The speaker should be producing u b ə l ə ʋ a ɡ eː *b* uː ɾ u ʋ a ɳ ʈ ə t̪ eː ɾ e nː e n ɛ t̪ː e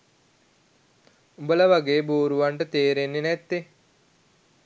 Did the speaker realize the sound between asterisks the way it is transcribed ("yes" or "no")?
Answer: yes